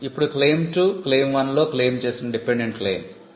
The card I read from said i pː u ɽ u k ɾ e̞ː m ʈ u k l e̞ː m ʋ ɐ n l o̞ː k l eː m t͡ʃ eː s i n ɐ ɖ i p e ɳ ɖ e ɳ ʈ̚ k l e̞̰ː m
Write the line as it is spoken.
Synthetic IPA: i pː u ɽ u k l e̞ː m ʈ u k l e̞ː m ʋ ɐ n l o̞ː k l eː m t͡ʃ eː s i n ɐ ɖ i p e ɳ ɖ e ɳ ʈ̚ k l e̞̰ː m